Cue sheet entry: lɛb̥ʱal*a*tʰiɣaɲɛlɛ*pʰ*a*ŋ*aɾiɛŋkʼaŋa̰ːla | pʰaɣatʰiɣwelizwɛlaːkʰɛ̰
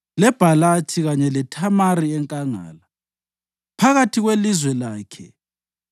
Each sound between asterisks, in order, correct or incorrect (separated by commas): correct, incorrect, incorrect